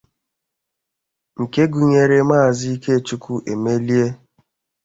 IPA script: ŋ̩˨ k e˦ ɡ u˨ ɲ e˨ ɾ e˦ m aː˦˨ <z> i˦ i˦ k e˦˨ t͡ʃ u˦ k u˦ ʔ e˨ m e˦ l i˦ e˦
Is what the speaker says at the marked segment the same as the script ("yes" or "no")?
yes